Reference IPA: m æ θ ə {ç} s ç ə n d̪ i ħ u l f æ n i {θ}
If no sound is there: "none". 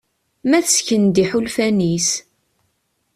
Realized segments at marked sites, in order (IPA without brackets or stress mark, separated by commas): none, s